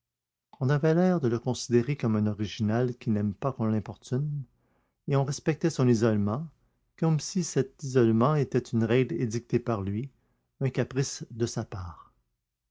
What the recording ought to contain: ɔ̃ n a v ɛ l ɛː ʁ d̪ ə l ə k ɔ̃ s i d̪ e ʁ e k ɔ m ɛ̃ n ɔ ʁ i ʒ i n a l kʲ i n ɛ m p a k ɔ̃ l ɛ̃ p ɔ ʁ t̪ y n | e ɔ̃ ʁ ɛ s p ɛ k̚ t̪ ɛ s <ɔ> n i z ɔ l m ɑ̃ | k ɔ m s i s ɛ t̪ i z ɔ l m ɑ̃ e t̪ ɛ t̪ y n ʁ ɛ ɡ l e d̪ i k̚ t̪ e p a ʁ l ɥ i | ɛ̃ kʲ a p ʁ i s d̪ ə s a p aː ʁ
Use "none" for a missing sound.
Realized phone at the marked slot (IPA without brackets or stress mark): ɔ̃